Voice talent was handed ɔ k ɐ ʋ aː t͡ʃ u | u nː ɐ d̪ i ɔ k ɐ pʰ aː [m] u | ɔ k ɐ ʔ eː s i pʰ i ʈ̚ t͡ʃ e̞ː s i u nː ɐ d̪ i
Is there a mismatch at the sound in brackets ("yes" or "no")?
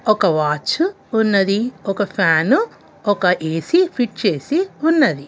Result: yes